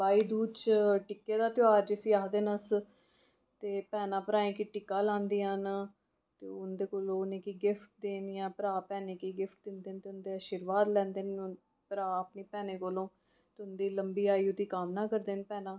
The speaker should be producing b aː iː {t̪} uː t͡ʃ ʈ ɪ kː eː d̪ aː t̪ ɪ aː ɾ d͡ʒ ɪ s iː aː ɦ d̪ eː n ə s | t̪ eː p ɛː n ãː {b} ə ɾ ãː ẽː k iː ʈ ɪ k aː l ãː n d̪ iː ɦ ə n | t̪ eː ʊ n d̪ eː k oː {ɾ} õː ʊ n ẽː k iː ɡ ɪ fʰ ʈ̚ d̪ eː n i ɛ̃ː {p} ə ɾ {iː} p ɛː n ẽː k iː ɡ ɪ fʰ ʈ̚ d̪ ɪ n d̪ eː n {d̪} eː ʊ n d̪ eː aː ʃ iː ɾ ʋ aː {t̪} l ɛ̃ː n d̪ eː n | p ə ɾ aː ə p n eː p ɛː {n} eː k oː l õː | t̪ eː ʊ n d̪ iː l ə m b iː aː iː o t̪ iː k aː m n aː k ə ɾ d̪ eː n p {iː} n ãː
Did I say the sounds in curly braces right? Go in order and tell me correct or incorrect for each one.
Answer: incorrect: d̪, incorrect: p, incorrect: l, correct, incorrect: aː, incorrect: t̪, incorrect: d̪, correct, incorrect: ɛː

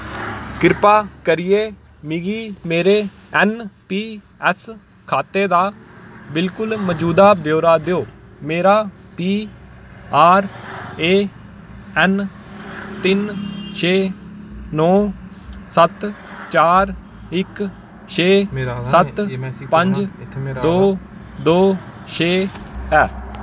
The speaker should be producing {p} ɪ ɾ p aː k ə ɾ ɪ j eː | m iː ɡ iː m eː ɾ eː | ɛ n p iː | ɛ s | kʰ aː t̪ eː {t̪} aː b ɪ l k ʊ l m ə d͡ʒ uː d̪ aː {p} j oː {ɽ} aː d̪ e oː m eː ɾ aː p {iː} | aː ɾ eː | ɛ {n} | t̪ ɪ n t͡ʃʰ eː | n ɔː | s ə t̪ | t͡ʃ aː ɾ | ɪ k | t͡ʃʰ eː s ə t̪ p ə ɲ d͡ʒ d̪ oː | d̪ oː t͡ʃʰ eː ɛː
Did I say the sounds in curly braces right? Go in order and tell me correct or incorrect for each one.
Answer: incorrect: k, incorrect: d̪, incorrect: b, incorrect: ɾ, correct, correct

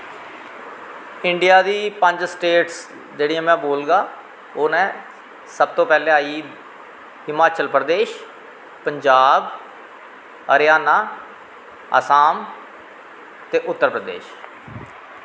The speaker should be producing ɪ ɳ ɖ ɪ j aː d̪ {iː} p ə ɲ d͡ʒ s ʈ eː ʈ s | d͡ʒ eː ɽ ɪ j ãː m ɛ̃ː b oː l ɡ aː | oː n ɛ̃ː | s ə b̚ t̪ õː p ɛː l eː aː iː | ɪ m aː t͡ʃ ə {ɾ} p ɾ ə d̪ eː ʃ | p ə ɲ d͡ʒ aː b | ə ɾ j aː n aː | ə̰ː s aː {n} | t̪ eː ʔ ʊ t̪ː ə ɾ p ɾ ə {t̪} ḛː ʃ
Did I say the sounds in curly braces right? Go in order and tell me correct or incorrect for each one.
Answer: correct, incorrect: l, incorrect: m, incorrect: d̪

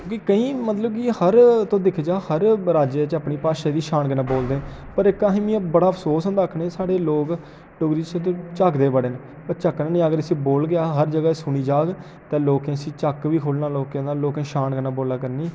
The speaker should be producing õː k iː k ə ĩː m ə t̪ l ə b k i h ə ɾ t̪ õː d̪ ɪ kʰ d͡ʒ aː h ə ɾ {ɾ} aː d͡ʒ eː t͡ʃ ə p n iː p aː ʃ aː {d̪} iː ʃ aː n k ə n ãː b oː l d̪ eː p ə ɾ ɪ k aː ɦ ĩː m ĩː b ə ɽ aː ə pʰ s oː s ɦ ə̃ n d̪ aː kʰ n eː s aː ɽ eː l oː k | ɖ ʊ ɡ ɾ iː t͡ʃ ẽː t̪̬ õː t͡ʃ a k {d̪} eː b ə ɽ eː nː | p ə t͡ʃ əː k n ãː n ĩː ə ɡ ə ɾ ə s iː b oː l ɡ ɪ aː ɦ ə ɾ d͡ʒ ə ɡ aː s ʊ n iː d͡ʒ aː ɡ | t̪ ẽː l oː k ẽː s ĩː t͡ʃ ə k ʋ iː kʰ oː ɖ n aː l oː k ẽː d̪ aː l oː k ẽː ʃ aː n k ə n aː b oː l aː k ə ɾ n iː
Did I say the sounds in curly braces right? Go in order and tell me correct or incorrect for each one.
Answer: correct, correct, correct

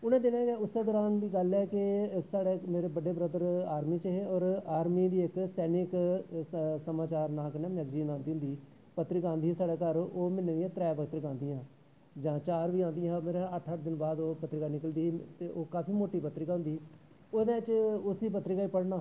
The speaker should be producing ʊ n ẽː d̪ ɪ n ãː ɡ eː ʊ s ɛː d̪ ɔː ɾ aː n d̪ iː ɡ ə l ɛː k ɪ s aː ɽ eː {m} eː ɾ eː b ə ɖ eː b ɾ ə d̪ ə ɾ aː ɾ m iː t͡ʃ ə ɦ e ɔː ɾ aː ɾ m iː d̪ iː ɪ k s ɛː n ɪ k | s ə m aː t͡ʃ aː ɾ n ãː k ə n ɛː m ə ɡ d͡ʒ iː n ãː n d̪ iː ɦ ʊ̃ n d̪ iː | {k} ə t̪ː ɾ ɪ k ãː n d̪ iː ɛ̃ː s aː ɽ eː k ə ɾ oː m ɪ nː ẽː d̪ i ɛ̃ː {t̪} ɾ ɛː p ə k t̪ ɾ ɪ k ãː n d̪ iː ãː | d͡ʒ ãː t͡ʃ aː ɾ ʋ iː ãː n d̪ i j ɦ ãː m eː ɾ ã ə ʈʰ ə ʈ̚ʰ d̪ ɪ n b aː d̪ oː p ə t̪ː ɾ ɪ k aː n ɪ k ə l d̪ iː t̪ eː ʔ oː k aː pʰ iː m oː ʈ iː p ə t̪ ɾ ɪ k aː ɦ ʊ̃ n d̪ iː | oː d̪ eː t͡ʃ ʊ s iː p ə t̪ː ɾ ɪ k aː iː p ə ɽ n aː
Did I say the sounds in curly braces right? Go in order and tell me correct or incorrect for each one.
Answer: correct, incorrect: p, correct

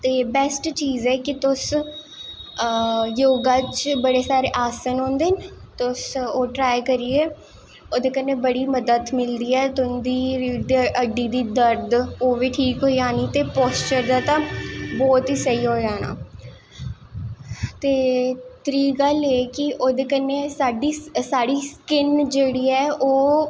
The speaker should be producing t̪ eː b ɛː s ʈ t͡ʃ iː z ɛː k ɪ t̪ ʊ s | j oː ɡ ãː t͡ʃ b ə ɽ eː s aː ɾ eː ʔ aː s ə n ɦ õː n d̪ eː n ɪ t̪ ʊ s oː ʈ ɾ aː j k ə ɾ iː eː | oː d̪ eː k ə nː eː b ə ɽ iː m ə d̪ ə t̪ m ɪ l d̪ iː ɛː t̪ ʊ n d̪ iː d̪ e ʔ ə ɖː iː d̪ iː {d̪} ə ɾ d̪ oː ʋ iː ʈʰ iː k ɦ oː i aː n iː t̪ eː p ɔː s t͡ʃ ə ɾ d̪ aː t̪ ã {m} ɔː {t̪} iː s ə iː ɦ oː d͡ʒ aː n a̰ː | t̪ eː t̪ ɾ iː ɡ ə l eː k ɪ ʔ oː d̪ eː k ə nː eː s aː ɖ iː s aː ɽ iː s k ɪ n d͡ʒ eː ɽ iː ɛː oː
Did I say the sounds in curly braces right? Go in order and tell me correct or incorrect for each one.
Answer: correct, incorrect: b, correct

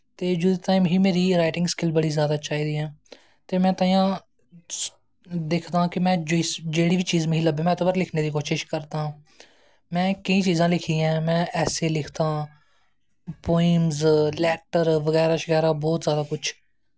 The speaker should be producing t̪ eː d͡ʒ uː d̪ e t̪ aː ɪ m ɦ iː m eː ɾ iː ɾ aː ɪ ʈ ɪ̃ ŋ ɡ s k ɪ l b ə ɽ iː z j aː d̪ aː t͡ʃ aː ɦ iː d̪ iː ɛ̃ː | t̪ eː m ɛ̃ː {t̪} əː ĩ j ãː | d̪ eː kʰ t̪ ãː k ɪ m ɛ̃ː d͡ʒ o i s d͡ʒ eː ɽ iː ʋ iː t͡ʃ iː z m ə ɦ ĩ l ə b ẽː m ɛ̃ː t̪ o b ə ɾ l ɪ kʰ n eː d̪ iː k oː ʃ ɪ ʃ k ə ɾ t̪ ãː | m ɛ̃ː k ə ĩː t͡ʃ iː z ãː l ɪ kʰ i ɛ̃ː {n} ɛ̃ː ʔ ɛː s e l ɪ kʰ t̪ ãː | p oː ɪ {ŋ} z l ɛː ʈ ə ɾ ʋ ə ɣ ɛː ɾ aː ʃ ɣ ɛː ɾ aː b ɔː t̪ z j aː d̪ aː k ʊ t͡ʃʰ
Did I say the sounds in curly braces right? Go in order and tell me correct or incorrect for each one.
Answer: correct, incorrect: m, incorrect: m

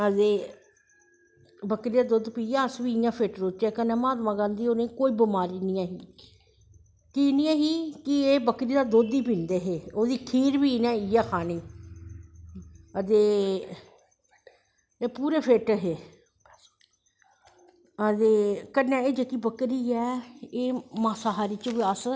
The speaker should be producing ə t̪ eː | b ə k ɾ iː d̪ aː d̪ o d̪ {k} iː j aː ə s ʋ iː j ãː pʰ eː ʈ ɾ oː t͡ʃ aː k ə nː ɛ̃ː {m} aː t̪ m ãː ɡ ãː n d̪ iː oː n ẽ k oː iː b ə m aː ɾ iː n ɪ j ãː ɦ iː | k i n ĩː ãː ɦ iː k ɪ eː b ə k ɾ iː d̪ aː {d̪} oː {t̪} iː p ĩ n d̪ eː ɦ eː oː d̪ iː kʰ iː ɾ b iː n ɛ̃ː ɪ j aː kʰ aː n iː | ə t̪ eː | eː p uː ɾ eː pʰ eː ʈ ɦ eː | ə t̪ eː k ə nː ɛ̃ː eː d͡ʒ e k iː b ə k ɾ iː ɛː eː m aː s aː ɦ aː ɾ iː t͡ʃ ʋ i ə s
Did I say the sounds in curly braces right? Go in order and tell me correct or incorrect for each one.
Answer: incorrect: p, correct, correct, incorrect: d̪

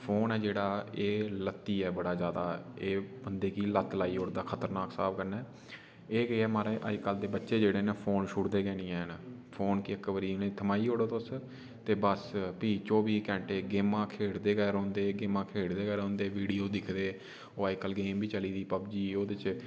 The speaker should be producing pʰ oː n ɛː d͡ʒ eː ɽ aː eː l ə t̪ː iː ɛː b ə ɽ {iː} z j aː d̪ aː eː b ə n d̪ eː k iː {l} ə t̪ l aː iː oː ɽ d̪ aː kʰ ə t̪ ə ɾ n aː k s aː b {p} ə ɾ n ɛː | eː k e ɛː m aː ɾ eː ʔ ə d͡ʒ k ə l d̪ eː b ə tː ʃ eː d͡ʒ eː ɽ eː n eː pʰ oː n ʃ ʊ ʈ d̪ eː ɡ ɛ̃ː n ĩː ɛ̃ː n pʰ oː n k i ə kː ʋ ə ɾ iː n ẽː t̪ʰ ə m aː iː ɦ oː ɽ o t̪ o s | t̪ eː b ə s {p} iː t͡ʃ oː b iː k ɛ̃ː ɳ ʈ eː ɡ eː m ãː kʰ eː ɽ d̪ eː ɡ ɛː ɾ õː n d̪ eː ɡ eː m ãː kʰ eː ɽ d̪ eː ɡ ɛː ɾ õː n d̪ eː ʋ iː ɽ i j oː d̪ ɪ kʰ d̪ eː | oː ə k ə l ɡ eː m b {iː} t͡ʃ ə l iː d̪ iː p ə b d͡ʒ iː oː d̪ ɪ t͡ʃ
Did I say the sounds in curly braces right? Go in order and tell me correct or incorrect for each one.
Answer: incorrect: aː, correct, incorrect: k, correct, correct

